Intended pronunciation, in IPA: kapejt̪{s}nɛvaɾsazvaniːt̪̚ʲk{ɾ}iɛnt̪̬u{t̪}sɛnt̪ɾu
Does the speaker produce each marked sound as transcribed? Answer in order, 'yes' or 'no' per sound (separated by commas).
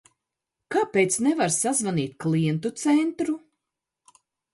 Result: yes, no, yes